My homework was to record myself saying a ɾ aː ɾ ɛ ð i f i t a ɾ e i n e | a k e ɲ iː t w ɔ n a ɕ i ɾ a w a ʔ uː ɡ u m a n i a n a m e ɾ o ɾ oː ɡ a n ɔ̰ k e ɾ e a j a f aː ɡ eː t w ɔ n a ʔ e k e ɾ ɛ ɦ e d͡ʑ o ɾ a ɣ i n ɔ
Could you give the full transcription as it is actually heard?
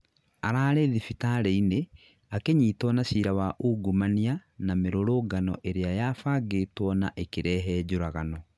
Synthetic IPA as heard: a ɾ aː ɾ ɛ ð i f i t a ɾ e i n e | a k e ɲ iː t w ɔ n a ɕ i ɾ a w a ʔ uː ɡ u m a n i a n a m e ɾ o ɾ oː ɡ a n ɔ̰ ʔ e ɾ e a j a f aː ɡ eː t w ɔ n a ʔ e k e ɾ ɛ ɦ ɛ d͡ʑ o ɾ a ɣ a n ɔ